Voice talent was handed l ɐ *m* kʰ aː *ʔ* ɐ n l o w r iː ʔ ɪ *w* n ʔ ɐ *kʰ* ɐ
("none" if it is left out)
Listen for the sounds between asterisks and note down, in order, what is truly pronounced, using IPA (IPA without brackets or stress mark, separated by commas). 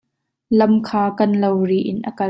m, k, none, k